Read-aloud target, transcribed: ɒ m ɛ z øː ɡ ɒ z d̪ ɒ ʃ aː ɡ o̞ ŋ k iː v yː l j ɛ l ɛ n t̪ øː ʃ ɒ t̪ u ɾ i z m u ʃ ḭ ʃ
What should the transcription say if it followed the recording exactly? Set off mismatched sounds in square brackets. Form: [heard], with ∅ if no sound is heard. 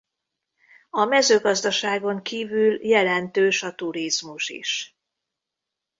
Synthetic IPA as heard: ɒ m ɛ z øː ɡ ɒ z d̪ ɒ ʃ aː ɡ o̞ ŋ k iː v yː l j ɛ l ɛ n t̪ øː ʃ ɒ t̪ u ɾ i z m u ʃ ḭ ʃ